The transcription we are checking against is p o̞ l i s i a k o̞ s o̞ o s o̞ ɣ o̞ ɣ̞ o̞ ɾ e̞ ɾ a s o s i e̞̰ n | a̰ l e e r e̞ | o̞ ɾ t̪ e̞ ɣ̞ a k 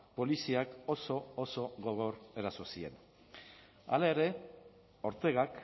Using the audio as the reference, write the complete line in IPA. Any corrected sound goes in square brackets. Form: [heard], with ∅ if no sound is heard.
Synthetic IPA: p o̞ l i s i a k o̞ s o̞ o s o̞ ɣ o̞ ɣ̞ o̞ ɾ e̞ ɾ a s o s i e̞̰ n | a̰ l [a] e [ɾ] e̞ | o̞ ɾ t̪ e̞ ɣ̞ a k

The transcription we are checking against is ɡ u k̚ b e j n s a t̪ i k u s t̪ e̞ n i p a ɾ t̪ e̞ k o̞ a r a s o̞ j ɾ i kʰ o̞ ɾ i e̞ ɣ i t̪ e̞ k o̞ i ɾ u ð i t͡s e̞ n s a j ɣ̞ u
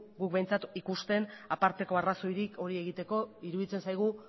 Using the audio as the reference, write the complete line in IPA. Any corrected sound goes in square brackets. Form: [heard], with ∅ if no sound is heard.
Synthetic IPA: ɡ u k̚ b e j n [t͡s] a t̪ i k u s t̪ e̞ n [a] p a ɾ t̪ e̞ k o̞ a r a s o̞ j ɾ i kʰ o̞ ɾ i e̞ ɣ i t̪ e̞ k o̞ i ɾ u ð i t͡s e̞ n s a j ɣ̞ u

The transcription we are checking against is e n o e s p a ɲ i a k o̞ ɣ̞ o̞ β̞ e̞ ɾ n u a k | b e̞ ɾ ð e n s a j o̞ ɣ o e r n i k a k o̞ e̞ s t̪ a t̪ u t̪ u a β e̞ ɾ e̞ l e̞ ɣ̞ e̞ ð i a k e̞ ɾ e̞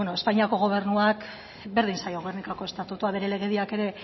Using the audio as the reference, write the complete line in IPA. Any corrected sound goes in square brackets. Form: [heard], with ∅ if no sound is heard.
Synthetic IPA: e n o e s p a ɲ i a k o̞ ɣ̞ o̞ β̞ e̞ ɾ n u a k | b e̞ ɾ ð [i] n s a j o̞ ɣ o e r n i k a k o̞ e̞ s t̪ a t̪ u t̪ u a β e̞ ɾ e̞ l e̞ ɣ̞ e̞ ð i a k e̞ ɾ e̞

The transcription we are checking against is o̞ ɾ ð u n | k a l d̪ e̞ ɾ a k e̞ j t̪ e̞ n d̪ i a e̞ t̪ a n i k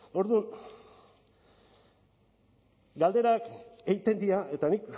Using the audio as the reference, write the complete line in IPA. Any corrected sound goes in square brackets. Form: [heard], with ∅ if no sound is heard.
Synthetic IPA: o̞ ɾ ð u n | [ɡ] a l d̪ e̞ ɾ a k e̞ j t̪ e̞ n d̪ i a e̞ t̪ a n i k

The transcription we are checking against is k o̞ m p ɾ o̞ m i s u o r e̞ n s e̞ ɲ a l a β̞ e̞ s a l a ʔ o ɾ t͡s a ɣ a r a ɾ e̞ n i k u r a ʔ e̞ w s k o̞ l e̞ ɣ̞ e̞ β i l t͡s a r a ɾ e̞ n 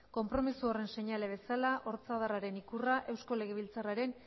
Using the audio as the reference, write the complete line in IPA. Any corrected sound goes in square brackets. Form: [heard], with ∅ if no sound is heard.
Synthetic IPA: k o̞ m p ɾ o̞ m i s u o r e̞ n s e̞ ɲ a l [e] β̞ e̞ s a l a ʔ o ɾ t͡s a [ð] a r a ɾ e̞ n i k u r a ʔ e̞ w s k o̞ l e̞ ɣ̞ e̞ β i l t͡s a r a ɾ e̞ n

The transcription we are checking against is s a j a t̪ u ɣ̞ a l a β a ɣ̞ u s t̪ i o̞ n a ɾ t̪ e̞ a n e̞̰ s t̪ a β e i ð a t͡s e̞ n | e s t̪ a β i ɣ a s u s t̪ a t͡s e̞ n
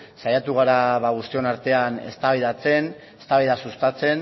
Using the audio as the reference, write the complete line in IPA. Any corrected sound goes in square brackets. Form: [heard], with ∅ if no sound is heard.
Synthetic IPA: s a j a t̪ u ɣ̞ a [ɾ] a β a ɣ̞ u s t̪ i o̞ n a ɾ t̪ e̞ a n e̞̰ s t̪ a β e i ð a t͡s e̞ n | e s t̪ a β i [ð] a s u s t̪ a t͡s e̞ n

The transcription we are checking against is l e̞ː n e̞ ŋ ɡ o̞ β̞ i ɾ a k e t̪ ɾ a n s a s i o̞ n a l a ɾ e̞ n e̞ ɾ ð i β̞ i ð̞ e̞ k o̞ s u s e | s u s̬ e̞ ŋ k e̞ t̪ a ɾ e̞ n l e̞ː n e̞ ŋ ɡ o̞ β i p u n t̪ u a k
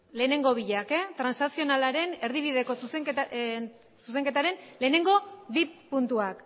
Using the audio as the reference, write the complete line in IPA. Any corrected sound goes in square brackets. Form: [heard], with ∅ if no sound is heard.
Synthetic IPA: l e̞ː n e̞ ŋ ɡ o̞ β̞ i [ʎ] a k e t̪ ɾ a n s a s i o̞ n a l a ɾ e̞ n e̞ ɾ ð i β̞ i ð̞ e̞ k o̞ s u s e | s u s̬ e̞ ŋ k e̞ t̪ a ɾ e̞ n l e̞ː n e̞ ŋ ɡ o̞ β i p u n t̪ u a k

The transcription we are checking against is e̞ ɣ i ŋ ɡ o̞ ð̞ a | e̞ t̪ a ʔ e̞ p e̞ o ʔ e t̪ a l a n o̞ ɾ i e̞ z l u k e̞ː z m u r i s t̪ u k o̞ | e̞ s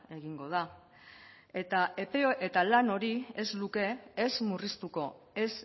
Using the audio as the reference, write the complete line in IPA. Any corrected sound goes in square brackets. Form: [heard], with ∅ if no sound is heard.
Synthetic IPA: e̞ ɣ i ŋ ɡ o̞ ð̞ a | e̞ t̪ a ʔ e̞ p e̞ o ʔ e t̪ a l a n o̞ ɾ i e̞ z l u k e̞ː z m u r i s t̪ u k o̞ | e̞ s

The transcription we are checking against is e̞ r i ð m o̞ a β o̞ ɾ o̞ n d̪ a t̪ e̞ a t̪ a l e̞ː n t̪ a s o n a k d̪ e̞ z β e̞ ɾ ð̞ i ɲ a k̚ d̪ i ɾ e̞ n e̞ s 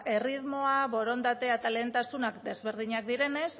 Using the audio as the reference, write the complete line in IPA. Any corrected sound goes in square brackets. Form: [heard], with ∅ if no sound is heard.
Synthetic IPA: e̞ r i ð m o̞ a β o̞ ɾ o̞ n d̪ a t̪ e̞ a t̪ a l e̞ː n t̪ a s [u] n a k d̪ e̞ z β e̞ ɾ ð̞ i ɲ a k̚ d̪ i ɾ e̞ n e̞ s

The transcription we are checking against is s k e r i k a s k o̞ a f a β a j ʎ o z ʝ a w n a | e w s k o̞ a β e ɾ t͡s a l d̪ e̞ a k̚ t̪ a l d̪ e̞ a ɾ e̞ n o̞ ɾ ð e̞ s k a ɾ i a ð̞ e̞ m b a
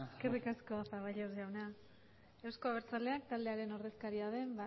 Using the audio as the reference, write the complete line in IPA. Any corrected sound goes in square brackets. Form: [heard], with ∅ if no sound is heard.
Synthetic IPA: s k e r i k a s k o̞ a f a β a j ʎ o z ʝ a w n a | e w s k o̞ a β e ɾ t͡s a l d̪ e̞ a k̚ t̪ a l d̪ e̞ a ɾ e̞ n o̞ ɾ ð e̞ s k a ɾ i a ð̞ e̞ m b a

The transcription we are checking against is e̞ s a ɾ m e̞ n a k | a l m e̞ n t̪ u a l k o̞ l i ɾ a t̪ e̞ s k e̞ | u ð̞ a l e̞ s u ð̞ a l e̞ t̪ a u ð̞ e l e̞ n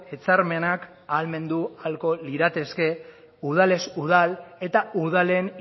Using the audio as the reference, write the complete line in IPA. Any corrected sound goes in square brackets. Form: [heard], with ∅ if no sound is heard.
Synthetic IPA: e̞ [t͡s] a ɾ m e̞ n a k | a l m e̞ n [d̪] u a l k o̞ l i ɾ a t̪ e̞ s k e̞ | u ð̞ a l e̞ s u ð̞ a l e̞ t̪ a u ð̞ [a] l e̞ n

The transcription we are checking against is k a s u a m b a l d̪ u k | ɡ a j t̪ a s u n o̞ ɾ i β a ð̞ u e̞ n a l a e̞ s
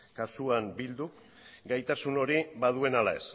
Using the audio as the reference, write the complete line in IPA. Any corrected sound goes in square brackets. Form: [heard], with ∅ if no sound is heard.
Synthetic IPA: k a s u a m b [i] l d̪ u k | ɡ a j t̪ a s u n o̞ ɾ i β a ð̞ u e̞ n a l a e̞ s

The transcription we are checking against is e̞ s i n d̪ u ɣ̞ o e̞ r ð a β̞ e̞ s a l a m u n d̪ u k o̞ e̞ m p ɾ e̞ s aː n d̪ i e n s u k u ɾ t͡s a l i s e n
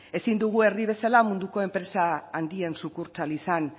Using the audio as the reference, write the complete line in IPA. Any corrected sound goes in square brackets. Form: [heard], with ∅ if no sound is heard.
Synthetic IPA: e̞ s i n d̪ u ɣ̞ [u] e̞ r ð [i] β̞ e̞ s a l a m u n d̪ u k o̞ e̞ m p ɾ e̞ s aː n d̪ i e n s u k u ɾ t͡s a l i s [a] n

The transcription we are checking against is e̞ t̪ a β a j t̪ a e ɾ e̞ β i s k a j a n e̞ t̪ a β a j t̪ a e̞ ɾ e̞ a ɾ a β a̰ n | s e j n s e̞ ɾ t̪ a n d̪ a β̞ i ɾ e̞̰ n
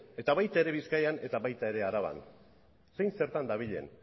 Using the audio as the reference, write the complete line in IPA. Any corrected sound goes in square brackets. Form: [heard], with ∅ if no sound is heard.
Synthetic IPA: e̞ t̪ a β a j t̪ a e ɾ e̞ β i s k a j a n e̞ t̪ a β a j t̪ a e̞ ɾ e̞ a ɾ a β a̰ n | s e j n s e̞ ɾ t̪ a n d̪ a β̞ i [ʎ] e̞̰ n

